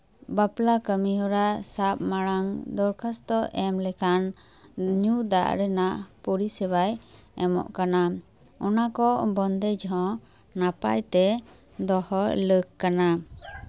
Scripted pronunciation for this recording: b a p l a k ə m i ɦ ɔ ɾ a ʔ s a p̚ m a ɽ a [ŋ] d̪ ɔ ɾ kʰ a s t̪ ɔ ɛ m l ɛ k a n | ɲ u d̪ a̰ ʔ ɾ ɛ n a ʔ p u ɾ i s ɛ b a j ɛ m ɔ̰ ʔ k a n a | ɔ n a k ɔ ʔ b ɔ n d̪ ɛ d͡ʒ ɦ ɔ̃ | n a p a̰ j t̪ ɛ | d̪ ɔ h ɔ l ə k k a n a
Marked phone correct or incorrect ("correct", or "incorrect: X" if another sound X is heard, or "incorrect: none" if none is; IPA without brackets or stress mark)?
correct